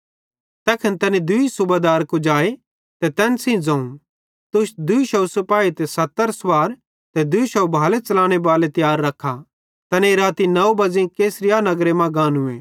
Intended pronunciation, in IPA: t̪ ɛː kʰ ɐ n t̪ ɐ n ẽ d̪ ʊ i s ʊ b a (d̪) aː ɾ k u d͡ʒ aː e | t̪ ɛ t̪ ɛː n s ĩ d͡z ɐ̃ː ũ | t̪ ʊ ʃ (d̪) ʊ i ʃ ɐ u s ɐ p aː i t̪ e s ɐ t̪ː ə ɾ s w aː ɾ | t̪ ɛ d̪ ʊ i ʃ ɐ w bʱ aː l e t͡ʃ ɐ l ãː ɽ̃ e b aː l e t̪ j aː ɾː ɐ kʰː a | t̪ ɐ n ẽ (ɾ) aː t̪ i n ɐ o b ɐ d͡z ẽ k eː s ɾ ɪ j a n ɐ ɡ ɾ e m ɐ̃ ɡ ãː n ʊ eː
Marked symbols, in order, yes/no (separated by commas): yes, yes, yes